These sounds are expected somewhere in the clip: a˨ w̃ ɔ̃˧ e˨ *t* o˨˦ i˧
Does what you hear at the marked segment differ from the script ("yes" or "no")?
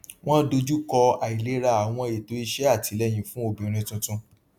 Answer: no